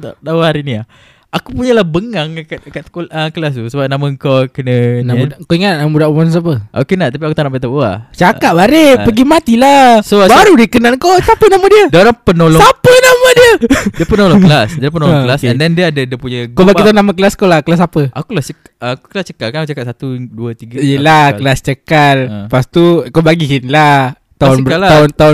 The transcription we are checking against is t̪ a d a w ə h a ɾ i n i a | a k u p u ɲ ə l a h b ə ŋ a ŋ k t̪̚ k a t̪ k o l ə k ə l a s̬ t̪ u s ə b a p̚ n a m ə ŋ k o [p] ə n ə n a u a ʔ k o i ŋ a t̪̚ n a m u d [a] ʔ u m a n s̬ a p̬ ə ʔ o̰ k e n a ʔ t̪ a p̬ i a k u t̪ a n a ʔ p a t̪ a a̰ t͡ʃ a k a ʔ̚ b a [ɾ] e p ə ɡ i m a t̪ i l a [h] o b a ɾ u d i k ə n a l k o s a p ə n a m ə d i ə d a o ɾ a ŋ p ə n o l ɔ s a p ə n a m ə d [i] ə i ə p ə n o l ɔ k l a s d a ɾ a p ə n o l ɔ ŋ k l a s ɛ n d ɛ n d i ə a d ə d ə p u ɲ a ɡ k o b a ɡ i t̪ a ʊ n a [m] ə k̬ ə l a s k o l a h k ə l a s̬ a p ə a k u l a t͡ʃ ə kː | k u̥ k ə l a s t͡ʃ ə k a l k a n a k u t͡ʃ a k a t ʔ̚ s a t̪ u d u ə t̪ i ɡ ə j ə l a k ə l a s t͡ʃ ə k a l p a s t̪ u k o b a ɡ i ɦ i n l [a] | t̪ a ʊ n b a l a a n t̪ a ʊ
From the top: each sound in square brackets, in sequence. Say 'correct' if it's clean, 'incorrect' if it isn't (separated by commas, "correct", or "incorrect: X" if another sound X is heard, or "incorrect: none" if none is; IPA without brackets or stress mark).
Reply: incorrect: k, correct, correct, incorrect: s, correct, correct, correct